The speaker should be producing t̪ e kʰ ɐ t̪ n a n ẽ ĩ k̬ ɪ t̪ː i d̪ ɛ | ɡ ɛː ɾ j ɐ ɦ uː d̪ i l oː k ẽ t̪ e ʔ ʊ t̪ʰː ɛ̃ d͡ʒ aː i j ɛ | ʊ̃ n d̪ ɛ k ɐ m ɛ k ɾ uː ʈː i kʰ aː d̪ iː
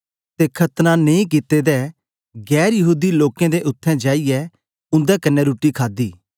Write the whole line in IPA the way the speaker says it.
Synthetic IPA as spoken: t̪ e kʰ ɐ t̪ n a n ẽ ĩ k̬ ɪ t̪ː e d̪ ɛ | ɡ ɛː ɾ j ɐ ɦ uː d̪ i l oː k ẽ d̪ e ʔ ʊ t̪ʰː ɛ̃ d͡ʒ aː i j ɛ | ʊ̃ n d̪ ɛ k ɐ n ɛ ɾ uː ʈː i kʰ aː d̪ iː

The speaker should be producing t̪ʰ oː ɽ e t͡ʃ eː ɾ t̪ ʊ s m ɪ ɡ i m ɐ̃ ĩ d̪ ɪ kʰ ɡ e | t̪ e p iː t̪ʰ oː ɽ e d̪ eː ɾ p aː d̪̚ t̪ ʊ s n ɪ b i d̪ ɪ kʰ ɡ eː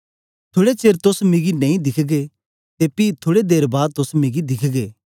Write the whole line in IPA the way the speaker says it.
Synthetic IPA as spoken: t̪ʰ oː ɽ e t͡ʃ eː ɾ t̪ ʊ s m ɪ ɡ i n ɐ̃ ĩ d̪ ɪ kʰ ɡ e | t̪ e p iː t̪ʰ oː ɽ e d̪ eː ɾ b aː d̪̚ t̪ ʊ s m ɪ ɡ i d̪ ɪ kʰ ɡ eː

